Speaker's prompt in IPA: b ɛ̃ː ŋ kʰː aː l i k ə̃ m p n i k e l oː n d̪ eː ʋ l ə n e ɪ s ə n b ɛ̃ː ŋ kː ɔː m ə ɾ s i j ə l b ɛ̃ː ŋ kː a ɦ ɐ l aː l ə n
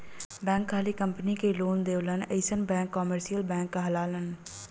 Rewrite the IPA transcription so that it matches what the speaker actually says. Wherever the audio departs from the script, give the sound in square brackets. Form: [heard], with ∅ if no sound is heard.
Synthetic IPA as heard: b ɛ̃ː ŋ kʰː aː l i k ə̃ m p n i k e l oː n d̪ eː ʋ l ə n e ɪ s ə n b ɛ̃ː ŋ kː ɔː m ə ɾ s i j ə l b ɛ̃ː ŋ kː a ɦ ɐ l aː l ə n